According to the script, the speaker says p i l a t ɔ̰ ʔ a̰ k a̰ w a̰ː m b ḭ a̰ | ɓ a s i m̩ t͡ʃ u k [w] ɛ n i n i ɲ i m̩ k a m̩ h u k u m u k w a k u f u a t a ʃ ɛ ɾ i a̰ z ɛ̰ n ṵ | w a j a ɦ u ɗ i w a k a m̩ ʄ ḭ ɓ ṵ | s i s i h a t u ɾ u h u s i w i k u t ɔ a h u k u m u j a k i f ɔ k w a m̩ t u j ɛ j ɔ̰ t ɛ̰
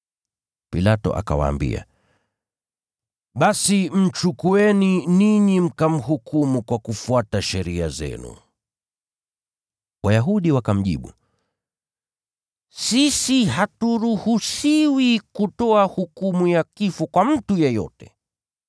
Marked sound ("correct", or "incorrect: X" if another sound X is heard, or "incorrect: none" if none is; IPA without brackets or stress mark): incorrect: u